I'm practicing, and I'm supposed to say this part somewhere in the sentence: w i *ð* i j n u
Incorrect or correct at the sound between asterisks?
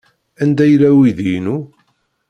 correct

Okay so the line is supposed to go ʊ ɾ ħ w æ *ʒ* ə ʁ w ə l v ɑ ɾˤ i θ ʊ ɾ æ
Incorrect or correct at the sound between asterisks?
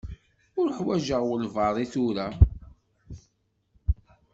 correct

